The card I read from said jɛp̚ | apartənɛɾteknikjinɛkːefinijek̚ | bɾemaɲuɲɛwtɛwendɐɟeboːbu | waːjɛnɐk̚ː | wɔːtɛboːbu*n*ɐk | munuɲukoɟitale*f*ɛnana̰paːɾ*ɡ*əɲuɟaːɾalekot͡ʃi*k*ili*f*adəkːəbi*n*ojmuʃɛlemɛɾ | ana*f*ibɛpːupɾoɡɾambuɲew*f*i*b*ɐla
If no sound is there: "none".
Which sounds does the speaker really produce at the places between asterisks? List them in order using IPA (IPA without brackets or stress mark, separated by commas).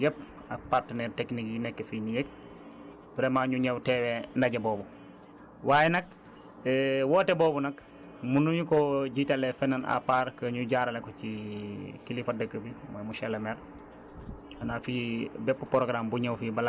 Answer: n, f, k, k, f, m, f, f, b